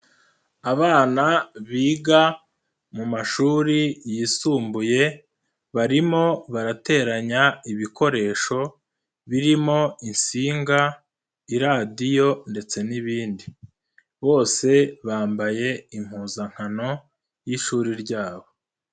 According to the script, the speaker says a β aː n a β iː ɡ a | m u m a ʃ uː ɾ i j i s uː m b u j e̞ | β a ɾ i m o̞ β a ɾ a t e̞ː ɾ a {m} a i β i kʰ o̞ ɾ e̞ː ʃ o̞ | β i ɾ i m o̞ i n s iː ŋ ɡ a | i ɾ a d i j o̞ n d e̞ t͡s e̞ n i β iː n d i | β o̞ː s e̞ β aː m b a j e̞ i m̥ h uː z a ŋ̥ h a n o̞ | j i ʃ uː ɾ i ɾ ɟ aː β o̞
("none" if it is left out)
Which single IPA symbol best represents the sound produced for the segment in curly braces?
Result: ɲ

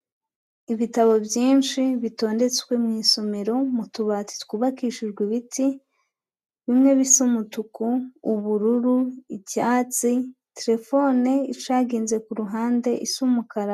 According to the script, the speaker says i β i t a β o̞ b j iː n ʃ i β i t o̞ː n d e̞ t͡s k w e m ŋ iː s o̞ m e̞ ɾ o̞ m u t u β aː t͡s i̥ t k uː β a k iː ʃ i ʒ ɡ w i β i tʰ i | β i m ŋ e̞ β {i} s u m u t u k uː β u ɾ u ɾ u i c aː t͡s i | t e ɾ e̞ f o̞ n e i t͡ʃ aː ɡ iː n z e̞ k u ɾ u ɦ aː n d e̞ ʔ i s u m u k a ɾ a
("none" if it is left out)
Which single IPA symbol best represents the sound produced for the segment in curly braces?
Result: i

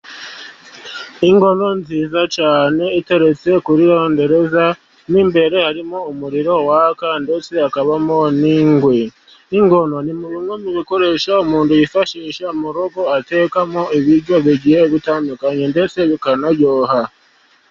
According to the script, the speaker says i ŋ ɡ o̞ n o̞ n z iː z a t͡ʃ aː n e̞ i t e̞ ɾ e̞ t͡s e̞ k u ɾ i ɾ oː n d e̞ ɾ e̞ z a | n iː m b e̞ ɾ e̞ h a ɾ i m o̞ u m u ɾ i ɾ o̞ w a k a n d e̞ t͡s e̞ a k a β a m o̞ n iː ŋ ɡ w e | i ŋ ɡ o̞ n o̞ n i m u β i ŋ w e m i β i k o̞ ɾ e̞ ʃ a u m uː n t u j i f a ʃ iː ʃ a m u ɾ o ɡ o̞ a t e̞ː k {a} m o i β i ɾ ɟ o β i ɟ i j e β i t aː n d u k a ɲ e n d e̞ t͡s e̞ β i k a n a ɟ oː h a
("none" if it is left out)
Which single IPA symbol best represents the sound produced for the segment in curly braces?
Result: a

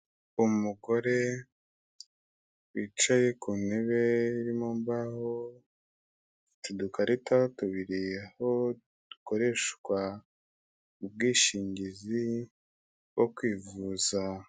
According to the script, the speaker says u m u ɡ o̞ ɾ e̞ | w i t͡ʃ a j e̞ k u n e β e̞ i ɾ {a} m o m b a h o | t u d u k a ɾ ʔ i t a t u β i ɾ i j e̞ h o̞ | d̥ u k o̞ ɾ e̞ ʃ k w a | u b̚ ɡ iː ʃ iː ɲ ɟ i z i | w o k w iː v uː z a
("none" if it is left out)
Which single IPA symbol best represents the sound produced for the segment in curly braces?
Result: i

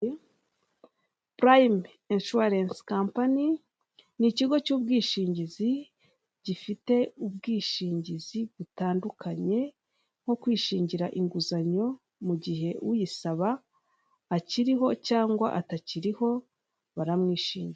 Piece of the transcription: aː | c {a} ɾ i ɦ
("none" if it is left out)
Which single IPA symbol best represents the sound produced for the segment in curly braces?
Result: i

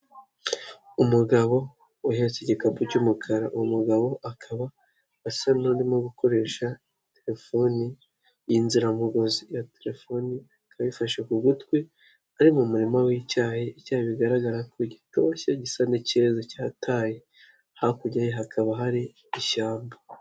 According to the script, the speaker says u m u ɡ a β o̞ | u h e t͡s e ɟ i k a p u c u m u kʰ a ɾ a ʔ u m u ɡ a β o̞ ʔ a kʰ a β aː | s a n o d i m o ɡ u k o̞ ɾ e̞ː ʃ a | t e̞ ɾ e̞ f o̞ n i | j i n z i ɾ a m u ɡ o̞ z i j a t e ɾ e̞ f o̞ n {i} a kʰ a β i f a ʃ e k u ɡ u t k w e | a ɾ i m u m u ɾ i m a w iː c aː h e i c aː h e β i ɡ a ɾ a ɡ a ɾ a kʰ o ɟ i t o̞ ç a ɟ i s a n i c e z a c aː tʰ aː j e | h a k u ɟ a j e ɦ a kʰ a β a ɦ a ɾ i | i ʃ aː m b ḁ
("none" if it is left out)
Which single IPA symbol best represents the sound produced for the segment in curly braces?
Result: i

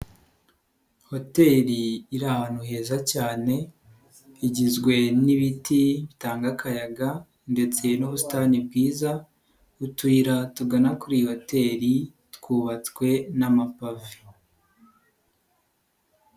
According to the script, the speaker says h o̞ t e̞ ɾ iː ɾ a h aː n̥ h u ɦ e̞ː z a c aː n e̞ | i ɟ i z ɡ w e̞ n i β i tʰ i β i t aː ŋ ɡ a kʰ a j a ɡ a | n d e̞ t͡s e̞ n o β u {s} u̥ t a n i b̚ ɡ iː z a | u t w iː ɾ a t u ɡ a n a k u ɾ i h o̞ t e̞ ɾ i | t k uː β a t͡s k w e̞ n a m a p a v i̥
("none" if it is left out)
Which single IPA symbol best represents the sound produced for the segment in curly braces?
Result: s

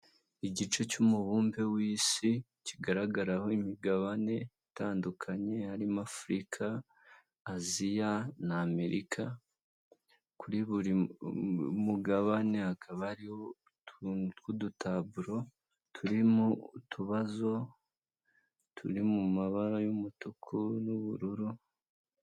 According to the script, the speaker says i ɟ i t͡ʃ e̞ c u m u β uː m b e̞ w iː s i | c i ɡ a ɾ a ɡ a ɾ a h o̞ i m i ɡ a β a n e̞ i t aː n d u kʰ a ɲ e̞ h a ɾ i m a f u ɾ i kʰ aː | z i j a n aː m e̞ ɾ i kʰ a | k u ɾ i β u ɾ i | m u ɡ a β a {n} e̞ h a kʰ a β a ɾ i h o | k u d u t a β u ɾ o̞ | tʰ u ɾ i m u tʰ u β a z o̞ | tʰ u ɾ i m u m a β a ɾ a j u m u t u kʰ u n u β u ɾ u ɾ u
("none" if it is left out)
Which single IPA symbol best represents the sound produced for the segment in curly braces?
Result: n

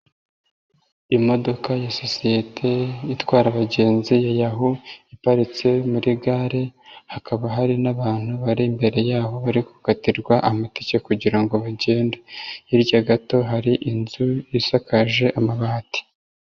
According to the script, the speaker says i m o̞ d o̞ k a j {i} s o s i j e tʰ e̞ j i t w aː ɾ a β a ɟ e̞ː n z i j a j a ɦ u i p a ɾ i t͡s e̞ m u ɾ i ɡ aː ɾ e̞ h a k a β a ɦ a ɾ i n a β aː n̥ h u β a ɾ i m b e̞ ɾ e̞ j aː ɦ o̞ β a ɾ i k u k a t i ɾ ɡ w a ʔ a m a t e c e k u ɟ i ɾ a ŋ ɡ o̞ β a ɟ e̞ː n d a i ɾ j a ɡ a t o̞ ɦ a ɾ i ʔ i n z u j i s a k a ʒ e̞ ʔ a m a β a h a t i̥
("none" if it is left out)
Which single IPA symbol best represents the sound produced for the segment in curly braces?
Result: a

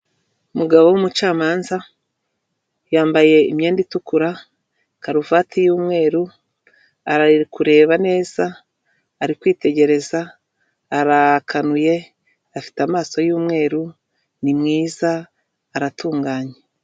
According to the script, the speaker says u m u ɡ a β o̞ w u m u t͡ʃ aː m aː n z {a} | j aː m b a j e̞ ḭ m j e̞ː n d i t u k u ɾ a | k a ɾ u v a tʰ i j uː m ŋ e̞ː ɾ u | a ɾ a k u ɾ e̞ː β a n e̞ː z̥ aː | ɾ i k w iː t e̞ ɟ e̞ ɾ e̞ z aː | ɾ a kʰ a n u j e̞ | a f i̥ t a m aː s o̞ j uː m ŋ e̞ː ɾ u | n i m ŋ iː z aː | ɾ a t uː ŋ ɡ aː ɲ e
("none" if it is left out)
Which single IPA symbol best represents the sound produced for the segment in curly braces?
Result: a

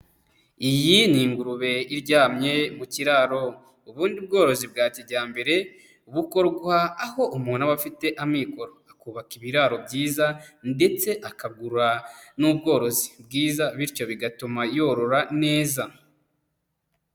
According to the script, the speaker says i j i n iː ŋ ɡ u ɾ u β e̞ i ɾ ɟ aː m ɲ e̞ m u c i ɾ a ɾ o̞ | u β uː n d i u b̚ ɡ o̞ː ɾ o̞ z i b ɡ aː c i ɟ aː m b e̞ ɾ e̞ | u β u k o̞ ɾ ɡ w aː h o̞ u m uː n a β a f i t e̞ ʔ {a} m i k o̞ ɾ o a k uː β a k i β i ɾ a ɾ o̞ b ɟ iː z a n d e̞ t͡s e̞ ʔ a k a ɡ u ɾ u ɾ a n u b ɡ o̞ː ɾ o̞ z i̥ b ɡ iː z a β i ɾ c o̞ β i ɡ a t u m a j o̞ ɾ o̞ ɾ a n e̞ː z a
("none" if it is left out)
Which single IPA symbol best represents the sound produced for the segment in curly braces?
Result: a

